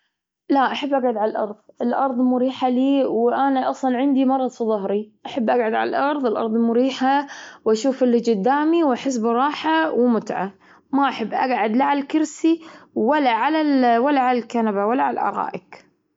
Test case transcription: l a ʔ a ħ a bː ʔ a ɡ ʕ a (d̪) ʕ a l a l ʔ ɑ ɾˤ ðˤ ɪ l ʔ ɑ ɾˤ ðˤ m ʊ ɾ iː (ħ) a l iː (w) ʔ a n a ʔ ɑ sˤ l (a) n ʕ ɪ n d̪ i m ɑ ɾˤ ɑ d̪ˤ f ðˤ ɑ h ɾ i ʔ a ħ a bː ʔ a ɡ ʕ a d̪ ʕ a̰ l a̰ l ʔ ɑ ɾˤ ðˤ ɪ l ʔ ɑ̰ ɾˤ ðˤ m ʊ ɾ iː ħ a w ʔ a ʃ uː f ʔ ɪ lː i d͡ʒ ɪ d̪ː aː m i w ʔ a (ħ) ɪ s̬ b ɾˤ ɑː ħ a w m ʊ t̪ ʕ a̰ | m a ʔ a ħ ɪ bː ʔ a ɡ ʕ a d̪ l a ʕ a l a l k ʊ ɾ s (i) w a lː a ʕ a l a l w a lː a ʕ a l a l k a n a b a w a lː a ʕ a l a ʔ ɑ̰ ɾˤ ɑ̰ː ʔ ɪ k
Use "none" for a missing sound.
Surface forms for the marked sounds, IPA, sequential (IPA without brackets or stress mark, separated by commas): d̪, ħ, w, ɑ, ħ, i